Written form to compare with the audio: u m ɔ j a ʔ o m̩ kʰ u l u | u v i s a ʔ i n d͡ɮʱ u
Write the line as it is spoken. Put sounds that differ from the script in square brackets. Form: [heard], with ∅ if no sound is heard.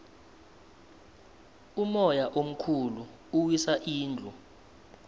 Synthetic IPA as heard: u m ɔ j a ʔ o m̩ kʰ u l u | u [w] i s a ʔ [iː] n d͡ɮʱ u